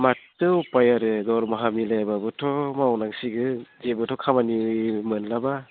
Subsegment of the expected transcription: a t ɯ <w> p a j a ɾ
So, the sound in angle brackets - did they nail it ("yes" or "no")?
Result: yes